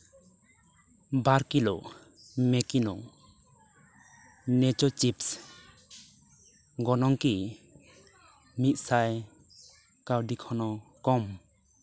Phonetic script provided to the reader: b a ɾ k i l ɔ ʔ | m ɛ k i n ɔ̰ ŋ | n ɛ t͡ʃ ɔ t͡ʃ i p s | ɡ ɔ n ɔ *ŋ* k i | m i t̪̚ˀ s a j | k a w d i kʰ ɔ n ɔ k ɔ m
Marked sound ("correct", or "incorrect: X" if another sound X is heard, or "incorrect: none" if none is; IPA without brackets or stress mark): correct